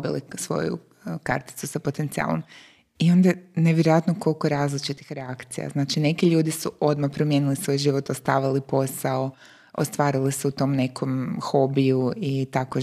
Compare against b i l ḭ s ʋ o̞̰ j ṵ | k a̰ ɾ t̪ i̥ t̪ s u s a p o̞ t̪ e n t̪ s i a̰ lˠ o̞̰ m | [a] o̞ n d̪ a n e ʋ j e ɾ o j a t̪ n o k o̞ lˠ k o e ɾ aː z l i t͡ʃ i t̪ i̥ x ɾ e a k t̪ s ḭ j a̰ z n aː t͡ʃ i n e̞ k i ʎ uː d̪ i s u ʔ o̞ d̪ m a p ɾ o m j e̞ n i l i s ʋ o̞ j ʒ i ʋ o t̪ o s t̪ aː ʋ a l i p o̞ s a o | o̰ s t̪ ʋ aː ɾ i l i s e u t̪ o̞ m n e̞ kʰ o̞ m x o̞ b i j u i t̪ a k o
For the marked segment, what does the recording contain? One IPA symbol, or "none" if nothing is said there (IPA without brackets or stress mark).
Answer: i